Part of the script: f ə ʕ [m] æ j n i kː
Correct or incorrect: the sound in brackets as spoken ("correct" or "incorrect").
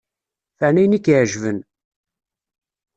incorrect